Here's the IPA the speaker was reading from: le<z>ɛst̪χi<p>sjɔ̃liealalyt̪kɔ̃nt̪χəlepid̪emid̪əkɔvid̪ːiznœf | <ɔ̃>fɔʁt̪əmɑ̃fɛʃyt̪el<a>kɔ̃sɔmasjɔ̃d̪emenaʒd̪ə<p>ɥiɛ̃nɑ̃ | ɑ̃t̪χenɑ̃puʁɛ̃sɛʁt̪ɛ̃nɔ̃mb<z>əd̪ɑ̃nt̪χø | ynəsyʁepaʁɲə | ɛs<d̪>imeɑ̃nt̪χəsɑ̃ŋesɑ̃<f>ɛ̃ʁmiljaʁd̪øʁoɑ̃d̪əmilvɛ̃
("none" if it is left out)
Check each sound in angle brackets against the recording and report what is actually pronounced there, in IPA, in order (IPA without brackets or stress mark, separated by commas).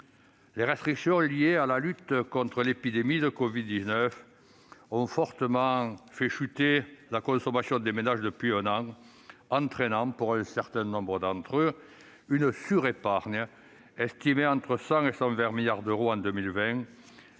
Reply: ʁ, k, ɔ̃, a, p, ʁ, t̪, v